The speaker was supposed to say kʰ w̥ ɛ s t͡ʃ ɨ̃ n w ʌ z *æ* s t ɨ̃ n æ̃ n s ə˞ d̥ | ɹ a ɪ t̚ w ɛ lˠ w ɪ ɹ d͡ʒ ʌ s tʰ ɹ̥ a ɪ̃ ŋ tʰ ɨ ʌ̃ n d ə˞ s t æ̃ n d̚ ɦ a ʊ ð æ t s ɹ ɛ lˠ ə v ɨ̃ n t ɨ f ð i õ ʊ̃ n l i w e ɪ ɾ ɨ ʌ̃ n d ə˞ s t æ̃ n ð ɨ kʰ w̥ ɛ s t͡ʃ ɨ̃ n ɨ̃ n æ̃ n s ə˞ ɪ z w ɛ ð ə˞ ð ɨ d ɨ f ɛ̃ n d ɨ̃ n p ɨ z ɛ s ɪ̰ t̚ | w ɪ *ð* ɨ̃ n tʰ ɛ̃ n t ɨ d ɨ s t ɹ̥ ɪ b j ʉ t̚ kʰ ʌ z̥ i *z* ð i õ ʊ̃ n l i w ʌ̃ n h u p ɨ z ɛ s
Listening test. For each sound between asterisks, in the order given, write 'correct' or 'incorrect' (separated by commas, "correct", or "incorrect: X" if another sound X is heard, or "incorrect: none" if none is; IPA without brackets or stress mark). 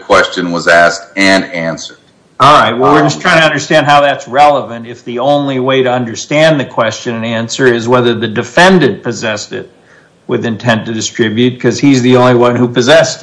correct, correct, correct